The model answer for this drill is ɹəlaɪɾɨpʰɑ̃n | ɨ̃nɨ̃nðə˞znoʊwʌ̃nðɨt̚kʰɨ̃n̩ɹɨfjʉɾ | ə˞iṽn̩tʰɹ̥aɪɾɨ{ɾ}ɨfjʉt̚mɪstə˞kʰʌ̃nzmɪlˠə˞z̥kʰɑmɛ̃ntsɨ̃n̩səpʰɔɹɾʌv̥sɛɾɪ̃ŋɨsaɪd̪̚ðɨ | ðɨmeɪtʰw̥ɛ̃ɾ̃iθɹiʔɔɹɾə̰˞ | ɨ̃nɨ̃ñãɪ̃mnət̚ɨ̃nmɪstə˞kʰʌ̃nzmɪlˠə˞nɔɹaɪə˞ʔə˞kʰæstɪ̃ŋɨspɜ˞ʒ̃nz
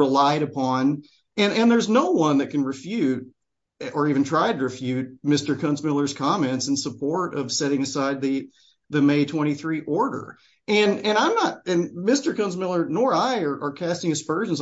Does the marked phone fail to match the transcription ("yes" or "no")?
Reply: yes